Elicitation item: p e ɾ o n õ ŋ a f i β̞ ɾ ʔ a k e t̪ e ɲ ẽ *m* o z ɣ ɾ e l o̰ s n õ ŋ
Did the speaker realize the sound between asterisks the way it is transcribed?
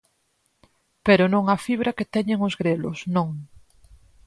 no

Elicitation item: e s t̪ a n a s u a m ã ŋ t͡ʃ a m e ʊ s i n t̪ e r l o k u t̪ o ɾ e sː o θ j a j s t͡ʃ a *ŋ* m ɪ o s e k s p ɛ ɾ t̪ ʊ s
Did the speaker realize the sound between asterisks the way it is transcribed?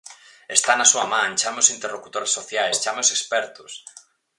no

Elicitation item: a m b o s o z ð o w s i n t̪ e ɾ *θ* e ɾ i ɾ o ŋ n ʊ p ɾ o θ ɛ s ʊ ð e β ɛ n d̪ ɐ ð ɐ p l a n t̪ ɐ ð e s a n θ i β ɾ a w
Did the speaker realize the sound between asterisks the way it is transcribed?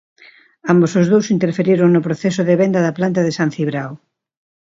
no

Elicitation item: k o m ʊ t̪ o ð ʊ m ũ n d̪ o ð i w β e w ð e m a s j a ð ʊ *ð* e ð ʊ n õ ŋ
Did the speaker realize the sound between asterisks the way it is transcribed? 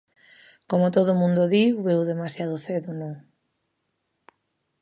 no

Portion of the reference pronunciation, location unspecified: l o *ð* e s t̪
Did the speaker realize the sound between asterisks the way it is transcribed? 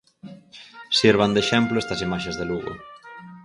no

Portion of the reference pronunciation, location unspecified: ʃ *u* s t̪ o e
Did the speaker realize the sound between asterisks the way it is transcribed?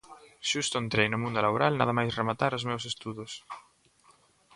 yes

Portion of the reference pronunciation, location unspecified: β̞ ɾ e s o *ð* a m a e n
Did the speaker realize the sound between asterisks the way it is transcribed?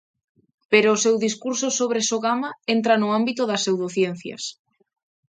no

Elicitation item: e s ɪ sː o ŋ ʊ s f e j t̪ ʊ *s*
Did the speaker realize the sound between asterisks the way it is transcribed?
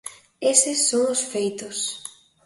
yes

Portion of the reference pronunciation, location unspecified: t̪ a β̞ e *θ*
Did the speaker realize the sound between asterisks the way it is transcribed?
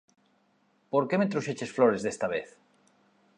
yes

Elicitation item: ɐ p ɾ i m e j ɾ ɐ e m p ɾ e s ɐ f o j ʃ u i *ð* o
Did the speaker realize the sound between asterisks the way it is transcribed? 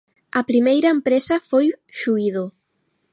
yes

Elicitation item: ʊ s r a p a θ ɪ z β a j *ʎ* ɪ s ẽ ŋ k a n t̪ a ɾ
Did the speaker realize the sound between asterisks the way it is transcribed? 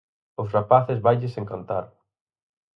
yes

